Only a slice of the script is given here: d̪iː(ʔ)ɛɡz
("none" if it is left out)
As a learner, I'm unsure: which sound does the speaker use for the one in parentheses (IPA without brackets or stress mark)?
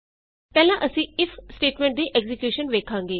ʔ